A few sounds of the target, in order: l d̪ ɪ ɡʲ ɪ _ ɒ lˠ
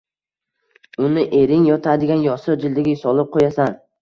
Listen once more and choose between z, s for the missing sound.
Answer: s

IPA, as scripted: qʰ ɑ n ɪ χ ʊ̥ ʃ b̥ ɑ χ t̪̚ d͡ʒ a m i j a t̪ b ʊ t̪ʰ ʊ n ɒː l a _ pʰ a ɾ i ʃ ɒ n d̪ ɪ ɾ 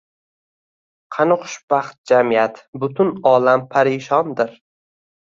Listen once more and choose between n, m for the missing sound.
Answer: m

